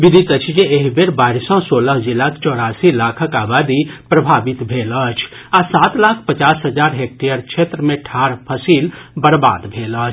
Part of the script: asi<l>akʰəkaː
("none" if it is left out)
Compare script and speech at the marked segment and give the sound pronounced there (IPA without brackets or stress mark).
l